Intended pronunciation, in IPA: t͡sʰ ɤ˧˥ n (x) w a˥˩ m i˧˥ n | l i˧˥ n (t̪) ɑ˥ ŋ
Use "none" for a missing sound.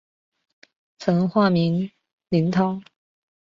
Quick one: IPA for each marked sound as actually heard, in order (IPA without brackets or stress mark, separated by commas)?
x, t̪ʰ